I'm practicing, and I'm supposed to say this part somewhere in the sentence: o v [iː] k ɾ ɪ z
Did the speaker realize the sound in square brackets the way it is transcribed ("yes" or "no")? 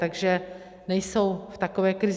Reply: no